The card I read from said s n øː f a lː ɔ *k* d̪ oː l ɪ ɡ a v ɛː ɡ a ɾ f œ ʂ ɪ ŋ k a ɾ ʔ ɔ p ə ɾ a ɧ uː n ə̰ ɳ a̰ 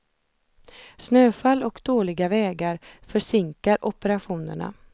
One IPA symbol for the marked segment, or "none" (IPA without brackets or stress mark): k